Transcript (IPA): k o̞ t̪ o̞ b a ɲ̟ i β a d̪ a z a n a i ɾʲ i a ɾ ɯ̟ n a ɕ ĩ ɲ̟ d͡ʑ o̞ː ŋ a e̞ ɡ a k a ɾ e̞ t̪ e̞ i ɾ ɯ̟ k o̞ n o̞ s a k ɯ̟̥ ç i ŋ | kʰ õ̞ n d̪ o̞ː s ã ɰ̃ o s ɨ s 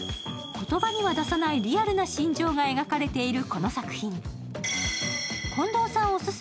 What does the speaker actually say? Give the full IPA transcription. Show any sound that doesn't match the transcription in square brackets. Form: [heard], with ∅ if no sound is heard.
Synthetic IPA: k o̞ t̪ o̞ b a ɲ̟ i β a d̪ a [s] a n a i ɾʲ i a ɾ ɯ̟ n a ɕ ĩ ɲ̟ d͡ʑ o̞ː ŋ a e̞ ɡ a k a ɾ e̞ t̪ e̞ i ɾ ɯ̟ k o̞ n o̞ s a k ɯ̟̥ ç [ĩ] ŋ | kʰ õ̞ n d̪ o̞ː s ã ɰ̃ o s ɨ s